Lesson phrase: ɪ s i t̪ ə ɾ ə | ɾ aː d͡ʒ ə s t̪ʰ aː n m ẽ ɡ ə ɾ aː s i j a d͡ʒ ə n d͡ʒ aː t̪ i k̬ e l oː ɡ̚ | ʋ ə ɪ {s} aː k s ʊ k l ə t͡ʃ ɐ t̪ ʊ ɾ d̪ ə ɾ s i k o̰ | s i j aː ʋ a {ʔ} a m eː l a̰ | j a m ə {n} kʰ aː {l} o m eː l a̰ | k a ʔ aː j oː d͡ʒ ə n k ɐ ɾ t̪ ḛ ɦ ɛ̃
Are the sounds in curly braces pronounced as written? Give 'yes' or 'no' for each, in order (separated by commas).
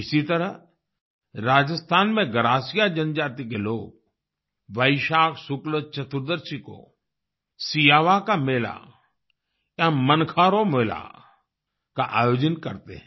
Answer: no, no, yes, no